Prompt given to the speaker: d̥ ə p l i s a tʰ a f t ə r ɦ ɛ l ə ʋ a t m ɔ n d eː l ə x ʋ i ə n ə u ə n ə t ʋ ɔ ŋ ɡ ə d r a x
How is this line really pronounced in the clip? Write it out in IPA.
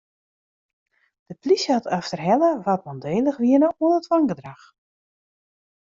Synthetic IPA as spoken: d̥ ə p l i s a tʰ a f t ə r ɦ ɛ l ə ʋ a t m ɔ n d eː l ə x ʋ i ə n ə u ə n ə t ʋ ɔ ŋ ɡ ə d r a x